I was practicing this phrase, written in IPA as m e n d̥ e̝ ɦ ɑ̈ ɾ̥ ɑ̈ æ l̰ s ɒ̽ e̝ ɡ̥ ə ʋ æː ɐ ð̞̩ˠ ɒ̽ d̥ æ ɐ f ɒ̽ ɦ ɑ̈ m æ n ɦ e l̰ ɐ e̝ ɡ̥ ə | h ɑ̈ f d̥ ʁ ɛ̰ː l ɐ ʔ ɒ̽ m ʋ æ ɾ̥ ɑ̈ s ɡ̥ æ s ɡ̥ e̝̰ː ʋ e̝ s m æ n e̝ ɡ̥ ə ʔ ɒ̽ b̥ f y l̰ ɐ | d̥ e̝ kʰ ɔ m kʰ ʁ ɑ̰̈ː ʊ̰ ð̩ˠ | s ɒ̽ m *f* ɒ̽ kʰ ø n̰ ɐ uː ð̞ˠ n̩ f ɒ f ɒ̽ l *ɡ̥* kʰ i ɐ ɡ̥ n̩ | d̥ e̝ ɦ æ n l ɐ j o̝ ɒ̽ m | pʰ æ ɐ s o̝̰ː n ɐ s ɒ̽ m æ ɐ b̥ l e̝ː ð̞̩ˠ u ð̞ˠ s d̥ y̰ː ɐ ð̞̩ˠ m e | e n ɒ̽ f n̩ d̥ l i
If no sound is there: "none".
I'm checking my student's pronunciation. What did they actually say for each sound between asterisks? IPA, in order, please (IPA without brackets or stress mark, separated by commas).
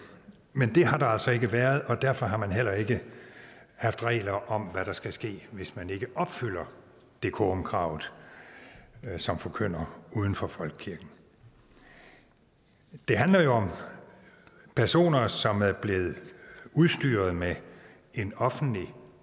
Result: f, ɡ̥